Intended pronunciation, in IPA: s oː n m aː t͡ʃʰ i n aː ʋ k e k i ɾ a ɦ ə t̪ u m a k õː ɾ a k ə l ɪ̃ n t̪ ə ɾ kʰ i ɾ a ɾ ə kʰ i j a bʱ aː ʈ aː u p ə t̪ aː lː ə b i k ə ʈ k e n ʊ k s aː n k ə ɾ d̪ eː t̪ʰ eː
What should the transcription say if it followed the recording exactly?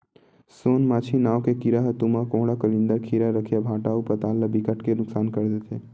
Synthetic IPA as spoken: s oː n m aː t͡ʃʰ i n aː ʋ k e k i ɾ a ɦ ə t̪ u m a k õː ɽ a k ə l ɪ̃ n d̪ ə ɾ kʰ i ɾ a ɾ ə kʰ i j a bʱ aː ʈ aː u p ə t̪ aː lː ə b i k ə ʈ k e n ʊ k s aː n k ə ɾ d̪ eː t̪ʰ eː